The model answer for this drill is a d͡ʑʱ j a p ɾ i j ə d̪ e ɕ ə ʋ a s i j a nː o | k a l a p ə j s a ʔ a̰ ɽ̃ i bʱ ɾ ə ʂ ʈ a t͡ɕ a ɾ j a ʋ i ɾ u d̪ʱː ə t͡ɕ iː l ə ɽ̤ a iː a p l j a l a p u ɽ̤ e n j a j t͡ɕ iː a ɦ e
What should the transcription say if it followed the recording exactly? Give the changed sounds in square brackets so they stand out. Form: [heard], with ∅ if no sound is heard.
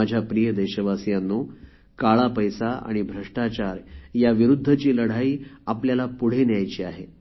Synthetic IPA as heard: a d͡ʑʱ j a p ɾ i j ə d̪ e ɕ ə ʋ a s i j a nː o | k a [ɭ] a p ə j s a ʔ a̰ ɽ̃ i bʱ ɾ ə ʂ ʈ a t͡ɕ a ɾ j a ʋ i ɾ u d̪ʱː ə t͡ɕ iː l ə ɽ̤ a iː a p l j a l a p u ɽ̤ e n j a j t͡ɕ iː a ɦ e